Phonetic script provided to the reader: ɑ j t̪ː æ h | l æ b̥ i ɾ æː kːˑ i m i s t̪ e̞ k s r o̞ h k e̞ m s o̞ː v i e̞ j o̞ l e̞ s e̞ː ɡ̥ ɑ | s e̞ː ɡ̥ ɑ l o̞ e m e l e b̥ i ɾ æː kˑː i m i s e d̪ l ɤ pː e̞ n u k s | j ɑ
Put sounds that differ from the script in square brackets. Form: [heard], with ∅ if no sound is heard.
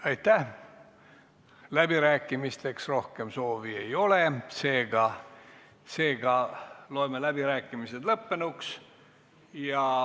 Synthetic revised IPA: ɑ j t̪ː æ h | l æ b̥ i ɾ æː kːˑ i m i s t̪ e̞ k s r o̞ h k e̞ m s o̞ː v i e̞ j o̞ l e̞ s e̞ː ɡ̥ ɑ | s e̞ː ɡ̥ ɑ l o̞ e m e l [æ] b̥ i ɾ æː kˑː i m i s e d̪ l ɤ pː e̞ n u k s | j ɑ